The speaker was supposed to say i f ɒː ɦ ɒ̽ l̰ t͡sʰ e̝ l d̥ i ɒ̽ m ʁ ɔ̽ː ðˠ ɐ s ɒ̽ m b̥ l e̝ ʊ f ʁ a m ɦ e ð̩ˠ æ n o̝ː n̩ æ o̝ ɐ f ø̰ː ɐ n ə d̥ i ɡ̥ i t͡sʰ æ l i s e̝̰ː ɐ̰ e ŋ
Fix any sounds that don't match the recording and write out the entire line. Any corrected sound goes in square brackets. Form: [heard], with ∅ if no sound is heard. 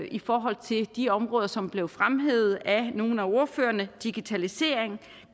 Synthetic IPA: i f ɒː ɦ ɒ̽ l̰ t͡sʰ e̝ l d̥ i ɒ̽ m ʁ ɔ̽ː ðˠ ɐ s ɒ̽ m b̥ l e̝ ʊ f ʁ a m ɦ e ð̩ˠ æ n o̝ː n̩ æ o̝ ɐ f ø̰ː ɐ n ə d̥ i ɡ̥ i t͡sʰ æ l i s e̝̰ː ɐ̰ e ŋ